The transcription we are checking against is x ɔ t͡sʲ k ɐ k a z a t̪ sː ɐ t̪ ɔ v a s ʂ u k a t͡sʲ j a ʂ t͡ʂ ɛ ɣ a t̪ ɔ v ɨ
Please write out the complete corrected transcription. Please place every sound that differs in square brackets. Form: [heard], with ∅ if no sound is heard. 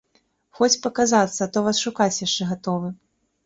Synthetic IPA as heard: x ɔ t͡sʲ [p] ɐ k a z a t̪ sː ɐ t̪ ɔ v a s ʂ u k a t͡sʲ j a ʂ t͡ʂ ɛ ɣ a t̪ ɔ v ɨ